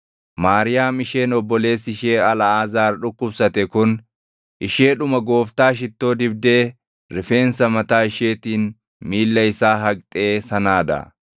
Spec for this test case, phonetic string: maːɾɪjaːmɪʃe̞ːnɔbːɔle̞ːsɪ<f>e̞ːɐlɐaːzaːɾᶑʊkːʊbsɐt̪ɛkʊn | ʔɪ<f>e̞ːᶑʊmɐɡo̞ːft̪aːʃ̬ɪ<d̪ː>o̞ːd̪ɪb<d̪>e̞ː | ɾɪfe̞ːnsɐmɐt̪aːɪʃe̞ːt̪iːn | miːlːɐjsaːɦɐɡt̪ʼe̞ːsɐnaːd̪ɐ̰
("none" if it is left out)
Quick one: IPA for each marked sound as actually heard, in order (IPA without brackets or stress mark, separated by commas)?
ʃ, ʃ, t̪ː, d̪